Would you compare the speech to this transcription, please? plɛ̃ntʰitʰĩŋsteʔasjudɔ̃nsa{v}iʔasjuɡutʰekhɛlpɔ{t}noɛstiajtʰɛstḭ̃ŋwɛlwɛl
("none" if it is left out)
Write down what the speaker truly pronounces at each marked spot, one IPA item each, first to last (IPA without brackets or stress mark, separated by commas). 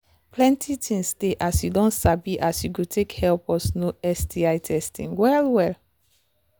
b, s